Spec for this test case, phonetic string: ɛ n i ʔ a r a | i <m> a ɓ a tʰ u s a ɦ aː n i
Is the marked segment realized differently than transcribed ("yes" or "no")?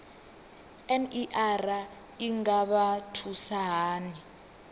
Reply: yes